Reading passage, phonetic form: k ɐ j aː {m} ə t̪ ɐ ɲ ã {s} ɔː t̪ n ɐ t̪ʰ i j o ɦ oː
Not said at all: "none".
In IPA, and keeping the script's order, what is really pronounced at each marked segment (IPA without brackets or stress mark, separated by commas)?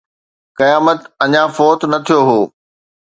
m, f